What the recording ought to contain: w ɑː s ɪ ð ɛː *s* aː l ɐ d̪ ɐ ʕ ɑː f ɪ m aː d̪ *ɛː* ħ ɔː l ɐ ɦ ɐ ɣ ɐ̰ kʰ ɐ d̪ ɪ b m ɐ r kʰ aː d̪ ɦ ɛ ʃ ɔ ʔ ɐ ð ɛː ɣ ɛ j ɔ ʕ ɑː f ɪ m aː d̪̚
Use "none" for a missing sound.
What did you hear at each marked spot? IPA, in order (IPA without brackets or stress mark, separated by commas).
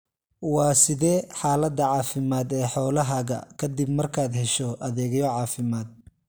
ħ, ɛː